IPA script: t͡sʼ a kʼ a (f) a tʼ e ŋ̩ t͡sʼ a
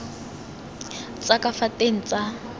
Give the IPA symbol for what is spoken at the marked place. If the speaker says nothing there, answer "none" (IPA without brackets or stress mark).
f